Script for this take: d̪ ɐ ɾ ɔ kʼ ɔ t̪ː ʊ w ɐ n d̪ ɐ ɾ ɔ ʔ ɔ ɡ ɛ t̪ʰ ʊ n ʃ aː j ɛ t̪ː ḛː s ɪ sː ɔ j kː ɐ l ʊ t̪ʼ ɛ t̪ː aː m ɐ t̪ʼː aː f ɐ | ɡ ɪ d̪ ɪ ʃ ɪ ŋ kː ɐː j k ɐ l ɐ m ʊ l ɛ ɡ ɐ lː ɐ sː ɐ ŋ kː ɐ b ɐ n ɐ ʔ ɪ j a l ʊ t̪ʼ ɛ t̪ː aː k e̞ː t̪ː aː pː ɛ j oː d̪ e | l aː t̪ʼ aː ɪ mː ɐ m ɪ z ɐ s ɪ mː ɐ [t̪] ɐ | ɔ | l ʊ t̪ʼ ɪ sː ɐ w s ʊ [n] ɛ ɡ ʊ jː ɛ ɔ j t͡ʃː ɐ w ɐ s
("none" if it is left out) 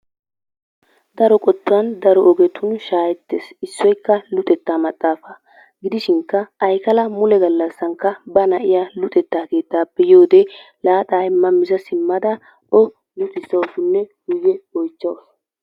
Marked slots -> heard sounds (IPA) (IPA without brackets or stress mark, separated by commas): d̪, nː